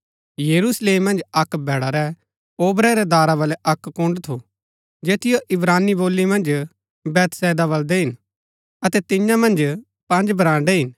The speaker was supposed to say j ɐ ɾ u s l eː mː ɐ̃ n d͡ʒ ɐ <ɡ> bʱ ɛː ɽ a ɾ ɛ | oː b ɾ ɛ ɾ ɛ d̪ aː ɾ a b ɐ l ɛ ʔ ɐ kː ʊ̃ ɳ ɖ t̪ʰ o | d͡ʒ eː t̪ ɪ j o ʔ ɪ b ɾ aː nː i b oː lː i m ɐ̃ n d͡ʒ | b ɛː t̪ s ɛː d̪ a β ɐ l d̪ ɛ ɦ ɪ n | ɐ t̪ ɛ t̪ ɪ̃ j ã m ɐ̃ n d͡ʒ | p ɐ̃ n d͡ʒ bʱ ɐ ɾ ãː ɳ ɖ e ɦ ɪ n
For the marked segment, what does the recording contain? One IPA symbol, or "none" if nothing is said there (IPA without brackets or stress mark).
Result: k